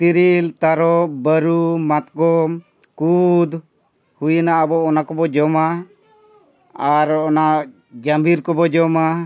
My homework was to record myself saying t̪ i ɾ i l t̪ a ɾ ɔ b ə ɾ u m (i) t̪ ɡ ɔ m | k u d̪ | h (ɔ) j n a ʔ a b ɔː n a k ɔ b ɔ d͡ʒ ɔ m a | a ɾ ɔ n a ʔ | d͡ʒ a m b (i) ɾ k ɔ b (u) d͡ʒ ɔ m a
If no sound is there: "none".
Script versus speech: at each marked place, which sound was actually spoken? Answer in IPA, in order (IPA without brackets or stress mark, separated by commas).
a, u, i, ɔ